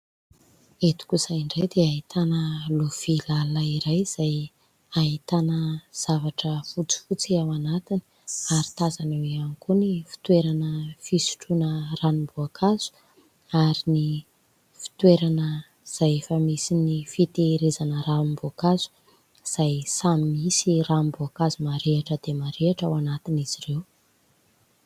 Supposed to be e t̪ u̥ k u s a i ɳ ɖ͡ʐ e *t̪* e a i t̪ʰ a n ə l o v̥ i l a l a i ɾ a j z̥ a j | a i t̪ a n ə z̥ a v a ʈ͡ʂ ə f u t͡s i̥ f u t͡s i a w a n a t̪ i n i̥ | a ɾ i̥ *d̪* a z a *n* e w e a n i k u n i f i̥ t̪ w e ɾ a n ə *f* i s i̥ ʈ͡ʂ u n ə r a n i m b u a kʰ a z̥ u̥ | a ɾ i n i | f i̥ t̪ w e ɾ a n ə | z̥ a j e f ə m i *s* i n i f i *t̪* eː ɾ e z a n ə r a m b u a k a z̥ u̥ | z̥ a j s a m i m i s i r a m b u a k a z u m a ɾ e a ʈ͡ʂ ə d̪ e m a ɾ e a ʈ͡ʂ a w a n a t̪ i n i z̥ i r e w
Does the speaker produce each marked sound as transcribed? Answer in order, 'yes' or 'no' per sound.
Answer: no, no, yes, yes, yes, yes

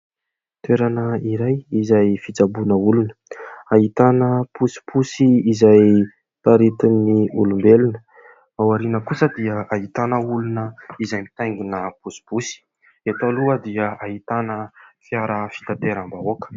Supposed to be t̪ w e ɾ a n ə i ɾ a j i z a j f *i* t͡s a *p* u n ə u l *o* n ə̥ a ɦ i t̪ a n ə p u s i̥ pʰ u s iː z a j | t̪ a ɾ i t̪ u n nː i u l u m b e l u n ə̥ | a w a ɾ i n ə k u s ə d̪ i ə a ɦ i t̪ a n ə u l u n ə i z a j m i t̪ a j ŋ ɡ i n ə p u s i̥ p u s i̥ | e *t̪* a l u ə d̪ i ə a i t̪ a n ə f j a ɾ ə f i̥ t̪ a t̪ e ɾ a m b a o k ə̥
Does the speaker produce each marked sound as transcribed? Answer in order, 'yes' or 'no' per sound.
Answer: yes, no, no, yes

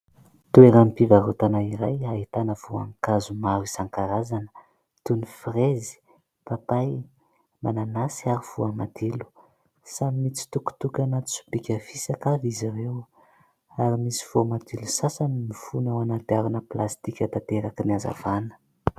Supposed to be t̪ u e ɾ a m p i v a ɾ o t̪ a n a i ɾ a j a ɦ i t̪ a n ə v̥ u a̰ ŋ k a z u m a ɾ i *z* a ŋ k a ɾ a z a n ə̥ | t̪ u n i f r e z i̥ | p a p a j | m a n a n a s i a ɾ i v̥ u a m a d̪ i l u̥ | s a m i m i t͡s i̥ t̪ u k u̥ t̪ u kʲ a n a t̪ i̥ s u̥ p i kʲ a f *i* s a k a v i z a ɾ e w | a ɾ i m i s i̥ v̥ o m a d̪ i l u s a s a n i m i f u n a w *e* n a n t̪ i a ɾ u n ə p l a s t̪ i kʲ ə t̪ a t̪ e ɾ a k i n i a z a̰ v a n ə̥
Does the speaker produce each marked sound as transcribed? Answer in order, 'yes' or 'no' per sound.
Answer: no, yes, no

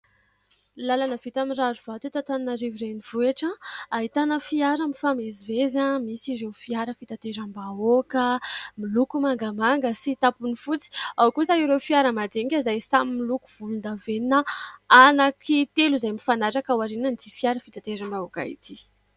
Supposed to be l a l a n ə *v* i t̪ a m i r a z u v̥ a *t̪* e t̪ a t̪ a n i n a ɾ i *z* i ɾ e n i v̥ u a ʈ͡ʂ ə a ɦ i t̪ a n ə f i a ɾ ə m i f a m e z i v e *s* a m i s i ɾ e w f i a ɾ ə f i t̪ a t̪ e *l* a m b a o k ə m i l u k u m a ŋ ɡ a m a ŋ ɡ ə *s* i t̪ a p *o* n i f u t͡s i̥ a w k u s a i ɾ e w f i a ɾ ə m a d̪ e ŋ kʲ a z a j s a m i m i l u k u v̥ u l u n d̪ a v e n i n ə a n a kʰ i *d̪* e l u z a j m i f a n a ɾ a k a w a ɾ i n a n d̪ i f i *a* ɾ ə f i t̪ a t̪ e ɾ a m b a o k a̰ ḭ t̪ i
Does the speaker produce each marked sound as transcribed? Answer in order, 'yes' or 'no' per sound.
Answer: yes, yes, no, no, no, yes, no, no, yes

